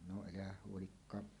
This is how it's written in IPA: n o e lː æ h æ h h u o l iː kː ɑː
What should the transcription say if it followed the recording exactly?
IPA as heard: n o e l æ h æ h h u o l i kː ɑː

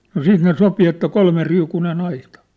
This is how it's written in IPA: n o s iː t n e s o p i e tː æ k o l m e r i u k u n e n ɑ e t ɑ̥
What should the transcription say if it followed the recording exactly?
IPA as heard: n o s iː t n e s o p i e tː æ k o l m e r i u k u n e n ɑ i t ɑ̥

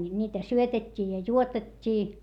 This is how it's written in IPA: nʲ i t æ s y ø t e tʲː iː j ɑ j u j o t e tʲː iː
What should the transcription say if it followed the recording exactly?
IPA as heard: nʲ iː t æ s y ø t e tʲː iː j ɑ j u o t e tʲː iː

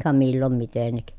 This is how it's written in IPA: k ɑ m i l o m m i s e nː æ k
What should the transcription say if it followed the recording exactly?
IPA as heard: k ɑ m i lː o m m i t e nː i k

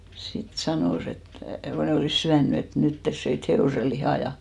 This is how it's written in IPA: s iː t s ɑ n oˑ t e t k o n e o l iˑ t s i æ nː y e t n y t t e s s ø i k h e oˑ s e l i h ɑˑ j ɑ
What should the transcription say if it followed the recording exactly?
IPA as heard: s i t s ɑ n oˑ s e t k o n e o l iˑ s s y æ nː y e t n y t t e s s ø i t h e oˑ s e l i h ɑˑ j ɑ

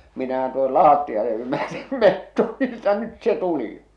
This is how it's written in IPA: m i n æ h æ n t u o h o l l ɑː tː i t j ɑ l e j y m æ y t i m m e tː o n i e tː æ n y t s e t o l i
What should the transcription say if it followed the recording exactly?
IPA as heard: m i n æ h æ n t u o h o l l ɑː tː i j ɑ l e j y m æ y t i m m e tː o n i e tː æ n y t s e t u l i

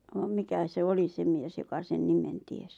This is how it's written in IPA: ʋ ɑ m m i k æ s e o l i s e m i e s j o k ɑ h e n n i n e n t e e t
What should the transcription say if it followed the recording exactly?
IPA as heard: ʋ ɑ m m i k æ s e o l i s e m i e s j o k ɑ s e n n i m e n t i e s

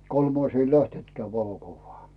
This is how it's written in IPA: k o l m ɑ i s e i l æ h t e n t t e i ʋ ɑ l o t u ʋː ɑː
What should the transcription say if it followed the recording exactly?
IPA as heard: k o l m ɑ i s e i l æ h t e n t k e æ ʋ ɑ l o k u ʋː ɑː

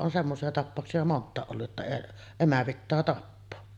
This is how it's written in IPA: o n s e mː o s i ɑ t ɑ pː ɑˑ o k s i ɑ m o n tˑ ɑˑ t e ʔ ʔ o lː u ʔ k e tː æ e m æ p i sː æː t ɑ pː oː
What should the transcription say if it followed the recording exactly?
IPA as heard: o n s e mː o s i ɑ t ɑ pː ɑˑ o k s i ɑ m o n tˑ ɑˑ e ʔ ʔ o lː u ʔ ʔ e tː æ e m æ p i tː æː t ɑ pː oː

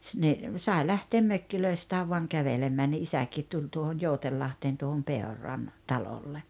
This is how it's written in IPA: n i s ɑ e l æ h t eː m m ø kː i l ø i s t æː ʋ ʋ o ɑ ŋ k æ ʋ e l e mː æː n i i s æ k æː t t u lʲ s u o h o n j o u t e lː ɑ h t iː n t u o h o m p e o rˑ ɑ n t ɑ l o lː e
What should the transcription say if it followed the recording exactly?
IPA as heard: n i s ɑ e l æ h t eː m m ø kː i l ø i s t æː ʋ ʋ o ɑ ŋ k æ ʋ e l e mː æː n i i s æ k iː t t u lʲ t u o h o n j o u t e lː ɑ h t eː n t u o h o m p e o rˑ ɑ n t ɑ l o lː e

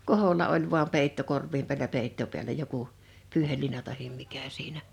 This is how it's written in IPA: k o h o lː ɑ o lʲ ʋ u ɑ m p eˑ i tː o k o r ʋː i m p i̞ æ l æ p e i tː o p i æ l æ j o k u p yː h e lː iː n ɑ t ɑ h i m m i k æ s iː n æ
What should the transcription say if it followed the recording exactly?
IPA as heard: k o h o lː ɑ o lʲ ʋ u ɑ m p eˑ i tː o k o r ʋː i m p i̞ æ l æ p e i tː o p i æ l æ j o k u p yː h e lː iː n ɑ t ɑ h i m m i k æ s iː n æ

